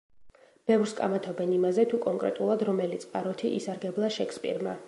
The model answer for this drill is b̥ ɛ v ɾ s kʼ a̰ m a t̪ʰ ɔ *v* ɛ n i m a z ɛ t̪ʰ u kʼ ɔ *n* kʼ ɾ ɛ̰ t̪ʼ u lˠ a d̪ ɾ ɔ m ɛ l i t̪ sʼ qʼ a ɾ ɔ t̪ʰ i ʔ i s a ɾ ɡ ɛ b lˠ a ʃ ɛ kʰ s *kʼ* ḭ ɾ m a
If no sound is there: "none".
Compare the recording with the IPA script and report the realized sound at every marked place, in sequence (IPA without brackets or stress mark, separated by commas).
b, ŋ, pʼ